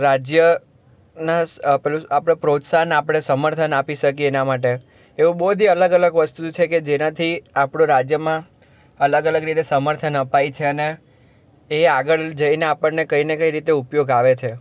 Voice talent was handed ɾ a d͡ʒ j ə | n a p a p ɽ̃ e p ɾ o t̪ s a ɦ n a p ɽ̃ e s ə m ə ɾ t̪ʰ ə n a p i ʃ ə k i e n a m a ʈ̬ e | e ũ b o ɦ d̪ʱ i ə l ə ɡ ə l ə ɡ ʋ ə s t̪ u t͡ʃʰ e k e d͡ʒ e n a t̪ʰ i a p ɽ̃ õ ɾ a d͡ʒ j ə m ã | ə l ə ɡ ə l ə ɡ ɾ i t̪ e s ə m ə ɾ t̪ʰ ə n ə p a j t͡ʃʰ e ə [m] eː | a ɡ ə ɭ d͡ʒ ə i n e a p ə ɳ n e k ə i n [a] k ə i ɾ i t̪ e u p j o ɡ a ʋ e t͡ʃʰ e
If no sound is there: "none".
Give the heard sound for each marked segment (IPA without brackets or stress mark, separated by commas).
n, e